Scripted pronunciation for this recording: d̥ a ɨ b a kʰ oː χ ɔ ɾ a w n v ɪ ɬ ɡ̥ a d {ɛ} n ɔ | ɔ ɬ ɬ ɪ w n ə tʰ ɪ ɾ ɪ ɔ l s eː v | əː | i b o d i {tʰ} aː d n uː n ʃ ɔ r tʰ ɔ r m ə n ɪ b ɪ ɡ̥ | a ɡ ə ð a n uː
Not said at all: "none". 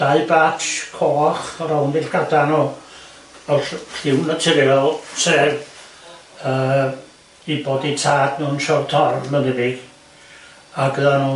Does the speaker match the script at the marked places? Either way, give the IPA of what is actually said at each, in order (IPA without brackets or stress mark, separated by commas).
a, tʰ